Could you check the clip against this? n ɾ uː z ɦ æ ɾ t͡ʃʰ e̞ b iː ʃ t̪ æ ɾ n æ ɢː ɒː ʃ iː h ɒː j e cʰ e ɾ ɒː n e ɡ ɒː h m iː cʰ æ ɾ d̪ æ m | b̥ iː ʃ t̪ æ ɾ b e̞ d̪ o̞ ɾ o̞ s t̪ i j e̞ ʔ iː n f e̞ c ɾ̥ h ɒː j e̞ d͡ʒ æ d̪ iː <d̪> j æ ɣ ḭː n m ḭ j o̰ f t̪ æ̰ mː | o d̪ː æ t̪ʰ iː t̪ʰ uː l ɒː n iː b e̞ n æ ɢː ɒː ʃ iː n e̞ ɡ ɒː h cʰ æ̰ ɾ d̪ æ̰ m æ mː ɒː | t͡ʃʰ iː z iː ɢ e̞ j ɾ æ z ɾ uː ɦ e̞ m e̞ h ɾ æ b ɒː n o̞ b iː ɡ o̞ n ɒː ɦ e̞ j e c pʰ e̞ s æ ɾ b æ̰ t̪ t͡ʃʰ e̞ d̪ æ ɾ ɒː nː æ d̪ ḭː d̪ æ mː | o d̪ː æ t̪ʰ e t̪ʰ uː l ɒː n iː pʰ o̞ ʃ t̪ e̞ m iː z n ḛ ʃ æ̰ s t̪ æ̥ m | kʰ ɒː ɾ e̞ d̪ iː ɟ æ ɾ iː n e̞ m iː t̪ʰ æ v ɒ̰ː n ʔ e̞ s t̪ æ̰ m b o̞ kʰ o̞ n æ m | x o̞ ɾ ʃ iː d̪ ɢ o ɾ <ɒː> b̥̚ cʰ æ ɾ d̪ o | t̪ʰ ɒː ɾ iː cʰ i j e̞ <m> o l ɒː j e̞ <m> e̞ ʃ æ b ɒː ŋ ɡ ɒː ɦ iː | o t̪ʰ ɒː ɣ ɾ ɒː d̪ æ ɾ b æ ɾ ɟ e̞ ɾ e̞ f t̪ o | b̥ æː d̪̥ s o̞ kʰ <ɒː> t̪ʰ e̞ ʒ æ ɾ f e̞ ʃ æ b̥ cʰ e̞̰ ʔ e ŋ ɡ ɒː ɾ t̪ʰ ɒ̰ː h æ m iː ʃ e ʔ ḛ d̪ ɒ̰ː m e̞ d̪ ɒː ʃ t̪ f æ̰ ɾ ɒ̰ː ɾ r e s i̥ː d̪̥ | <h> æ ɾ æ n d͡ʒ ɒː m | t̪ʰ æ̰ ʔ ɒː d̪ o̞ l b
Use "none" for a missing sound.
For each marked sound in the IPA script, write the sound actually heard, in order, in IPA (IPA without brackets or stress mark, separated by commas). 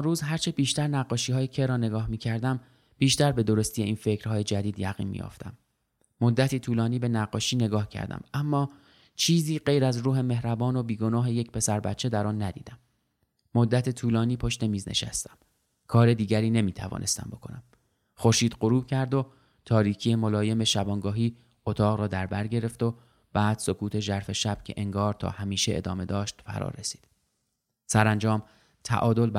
d̪, uː, m, m, uː, s